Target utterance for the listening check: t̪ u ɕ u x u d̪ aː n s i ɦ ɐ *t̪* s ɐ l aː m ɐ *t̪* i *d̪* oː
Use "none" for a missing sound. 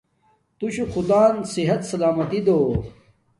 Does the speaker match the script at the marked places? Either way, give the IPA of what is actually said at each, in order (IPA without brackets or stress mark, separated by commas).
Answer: t̪, t̪, d̪